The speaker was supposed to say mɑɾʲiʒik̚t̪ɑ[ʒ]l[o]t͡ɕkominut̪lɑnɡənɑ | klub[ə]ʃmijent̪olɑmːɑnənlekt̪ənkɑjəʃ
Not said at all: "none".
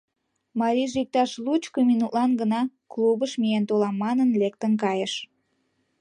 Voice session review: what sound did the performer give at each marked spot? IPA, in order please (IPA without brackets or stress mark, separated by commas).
ʃ, u, ə